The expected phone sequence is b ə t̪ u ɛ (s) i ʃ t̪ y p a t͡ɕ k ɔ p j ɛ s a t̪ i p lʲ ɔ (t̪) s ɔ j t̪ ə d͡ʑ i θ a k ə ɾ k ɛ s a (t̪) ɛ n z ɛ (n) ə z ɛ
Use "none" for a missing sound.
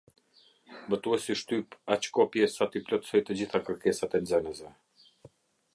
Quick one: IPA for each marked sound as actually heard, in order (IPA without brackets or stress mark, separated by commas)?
s, t̪, t̪, n